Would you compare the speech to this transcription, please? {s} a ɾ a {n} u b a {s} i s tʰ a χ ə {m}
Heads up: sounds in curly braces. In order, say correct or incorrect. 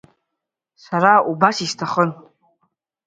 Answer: correct, incorrect, correct, incorrect

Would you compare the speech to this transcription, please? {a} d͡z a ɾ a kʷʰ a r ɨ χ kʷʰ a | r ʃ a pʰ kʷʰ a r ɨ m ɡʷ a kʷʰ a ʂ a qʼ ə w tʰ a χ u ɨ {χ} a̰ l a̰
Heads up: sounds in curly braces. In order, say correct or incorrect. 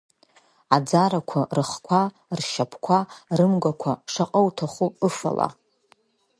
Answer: correct, incorrect

